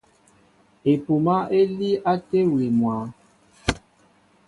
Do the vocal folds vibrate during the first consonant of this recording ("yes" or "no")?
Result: no